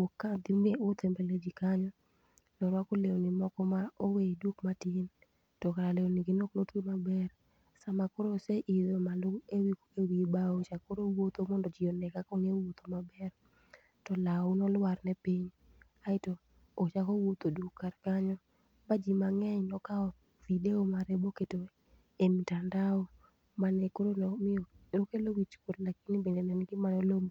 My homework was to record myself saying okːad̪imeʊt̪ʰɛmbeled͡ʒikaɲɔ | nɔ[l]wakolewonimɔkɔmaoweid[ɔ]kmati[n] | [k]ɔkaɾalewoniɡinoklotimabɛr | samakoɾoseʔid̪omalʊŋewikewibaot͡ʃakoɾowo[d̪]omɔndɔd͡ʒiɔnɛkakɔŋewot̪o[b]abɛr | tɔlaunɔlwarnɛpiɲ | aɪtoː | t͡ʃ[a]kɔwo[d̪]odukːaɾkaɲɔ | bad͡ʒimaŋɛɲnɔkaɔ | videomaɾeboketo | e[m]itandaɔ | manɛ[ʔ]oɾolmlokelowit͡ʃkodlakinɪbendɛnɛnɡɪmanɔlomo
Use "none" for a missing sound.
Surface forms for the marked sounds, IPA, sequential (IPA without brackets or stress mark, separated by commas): ɾ, u, n, t, t̪, m, a, t̪, m, k